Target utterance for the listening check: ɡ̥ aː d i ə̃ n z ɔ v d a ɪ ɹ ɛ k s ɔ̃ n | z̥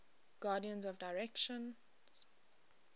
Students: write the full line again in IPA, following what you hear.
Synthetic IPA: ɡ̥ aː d i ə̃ n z ɔ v d a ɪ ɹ ɛ k ʃ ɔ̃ n | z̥